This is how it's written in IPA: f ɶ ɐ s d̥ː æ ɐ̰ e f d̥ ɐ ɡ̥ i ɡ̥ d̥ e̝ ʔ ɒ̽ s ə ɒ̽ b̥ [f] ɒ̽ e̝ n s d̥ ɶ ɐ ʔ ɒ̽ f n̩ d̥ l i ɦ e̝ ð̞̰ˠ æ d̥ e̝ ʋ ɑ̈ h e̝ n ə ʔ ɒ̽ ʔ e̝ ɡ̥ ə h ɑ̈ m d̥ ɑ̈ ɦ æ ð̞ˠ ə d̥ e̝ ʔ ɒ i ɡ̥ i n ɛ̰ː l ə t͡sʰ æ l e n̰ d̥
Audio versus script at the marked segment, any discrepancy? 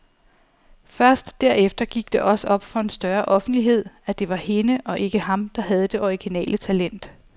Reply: no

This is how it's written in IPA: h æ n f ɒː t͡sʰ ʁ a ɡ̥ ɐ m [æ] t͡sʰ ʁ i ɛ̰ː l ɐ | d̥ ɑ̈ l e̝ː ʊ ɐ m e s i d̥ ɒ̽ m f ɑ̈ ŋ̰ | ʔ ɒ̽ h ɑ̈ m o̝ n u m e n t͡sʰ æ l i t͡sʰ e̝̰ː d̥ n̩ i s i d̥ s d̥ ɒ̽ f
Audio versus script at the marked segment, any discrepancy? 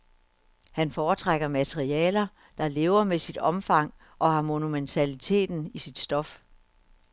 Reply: no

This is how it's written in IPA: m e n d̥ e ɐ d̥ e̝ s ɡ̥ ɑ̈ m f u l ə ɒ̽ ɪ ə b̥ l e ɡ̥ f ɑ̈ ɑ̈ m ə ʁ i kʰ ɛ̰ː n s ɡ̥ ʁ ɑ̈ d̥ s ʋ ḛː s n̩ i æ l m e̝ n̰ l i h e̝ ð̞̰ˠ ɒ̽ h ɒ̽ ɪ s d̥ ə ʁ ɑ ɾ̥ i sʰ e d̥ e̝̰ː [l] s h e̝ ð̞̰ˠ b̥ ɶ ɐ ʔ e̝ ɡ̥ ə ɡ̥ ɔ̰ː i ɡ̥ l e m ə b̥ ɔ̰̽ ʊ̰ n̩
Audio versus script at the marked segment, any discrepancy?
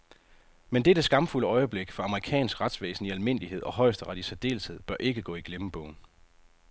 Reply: no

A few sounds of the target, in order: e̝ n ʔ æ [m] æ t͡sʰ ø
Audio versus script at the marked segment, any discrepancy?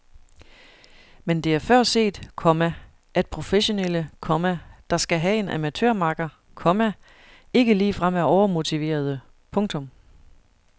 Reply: no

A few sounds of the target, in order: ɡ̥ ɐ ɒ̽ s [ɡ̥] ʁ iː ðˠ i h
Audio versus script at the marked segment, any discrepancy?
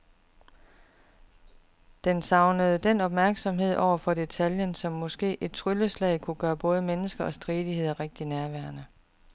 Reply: yes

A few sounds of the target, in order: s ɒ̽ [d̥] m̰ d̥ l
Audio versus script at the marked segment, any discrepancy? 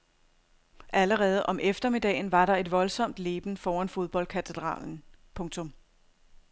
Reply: yes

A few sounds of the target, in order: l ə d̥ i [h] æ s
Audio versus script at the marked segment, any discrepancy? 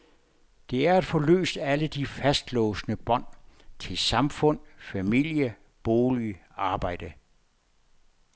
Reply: yes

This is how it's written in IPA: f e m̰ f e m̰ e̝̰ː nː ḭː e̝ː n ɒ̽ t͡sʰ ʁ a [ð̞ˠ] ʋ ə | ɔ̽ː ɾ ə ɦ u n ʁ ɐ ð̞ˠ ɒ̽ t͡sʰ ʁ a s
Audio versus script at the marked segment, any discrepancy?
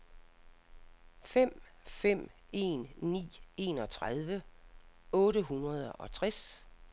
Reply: no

